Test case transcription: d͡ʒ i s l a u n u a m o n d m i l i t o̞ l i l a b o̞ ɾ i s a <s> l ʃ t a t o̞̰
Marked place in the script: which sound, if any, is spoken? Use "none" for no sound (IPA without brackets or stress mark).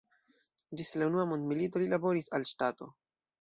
none